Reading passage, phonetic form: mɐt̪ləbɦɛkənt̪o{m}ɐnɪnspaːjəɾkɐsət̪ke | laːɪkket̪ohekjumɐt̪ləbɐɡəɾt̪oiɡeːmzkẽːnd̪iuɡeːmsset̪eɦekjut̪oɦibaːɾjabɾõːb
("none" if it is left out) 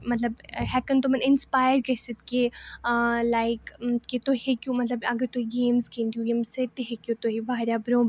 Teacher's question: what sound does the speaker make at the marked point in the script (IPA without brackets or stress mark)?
m